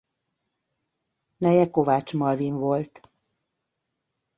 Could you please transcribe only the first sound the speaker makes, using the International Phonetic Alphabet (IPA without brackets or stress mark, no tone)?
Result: n